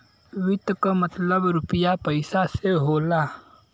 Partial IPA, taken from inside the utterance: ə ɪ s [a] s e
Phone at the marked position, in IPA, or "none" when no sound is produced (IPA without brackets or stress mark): a